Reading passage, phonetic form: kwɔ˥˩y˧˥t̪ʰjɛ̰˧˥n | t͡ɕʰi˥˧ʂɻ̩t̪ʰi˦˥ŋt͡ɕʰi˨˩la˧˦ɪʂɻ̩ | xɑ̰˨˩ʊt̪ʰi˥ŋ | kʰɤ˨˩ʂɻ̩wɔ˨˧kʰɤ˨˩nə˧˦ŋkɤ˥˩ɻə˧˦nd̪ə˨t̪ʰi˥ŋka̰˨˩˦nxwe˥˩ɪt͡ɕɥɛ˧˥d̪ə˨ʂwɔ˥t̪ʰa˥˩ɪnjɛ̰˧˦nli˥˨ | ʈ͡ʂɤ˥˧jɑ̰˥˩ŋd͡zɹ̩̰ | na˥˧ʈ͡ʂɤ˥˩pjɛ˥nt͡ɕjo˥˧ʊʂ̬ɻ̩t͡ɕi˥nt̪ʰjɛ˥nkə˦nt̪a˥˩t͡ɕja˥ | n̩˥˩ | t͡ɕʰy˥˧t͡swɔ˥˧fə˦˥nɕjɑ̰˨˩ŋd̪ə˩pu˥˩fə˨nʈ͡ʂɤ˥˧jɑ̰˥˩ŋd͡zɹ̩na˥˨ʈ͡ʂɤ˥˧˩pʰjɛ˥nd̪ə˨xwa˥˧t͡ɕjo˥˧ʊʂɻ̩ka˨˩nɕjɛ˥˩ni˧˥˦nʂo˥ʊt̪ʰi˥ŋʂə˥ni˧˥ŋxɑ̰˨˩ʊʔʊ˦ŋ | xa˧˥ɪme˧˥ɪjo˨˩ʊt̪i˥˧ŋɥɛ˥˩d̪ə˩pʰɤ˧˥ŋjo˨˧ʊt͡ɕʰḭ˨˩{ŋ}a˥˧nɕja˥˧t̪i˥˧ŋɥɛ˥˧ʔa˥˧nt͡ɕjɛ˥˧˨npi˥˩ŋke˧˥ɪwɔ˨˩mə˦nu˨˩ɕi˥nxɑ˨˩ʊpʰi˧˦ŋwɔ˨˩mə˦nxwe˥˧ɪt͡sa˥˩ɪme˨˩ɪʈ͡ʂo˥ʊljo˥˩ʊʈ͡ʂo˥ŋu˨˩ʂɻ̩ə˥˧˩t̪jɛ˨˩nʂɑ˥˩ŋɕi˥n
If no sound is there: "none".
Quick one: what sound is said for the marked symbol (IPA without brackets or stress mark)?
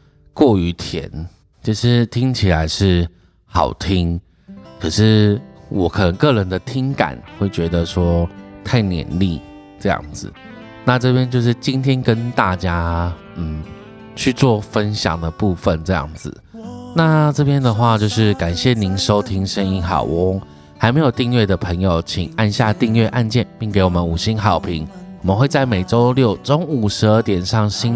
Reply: ŋ